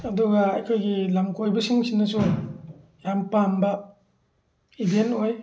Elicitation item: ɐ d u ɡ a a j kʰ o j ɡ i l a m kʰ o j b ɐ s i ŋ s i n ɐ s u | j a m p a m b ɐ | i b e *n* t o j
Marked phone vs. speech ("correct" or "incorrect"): correct